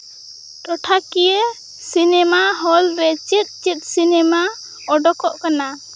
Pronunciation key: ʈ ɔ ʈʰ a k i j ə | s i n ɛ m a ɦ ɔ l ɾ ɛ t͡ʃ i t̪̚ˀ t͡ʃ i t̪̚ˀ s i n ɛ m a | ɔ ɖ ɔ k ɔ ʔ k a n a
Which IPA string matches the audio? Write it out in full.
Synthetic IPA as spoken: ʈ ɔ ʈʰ a k i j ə | s i n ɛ m a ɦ ɔ l ɾ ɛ t͡ʃ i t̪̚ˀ t͡ʃ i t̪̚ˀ s i n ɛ m a | ɔ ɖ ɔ k ɔ ʔ k a n a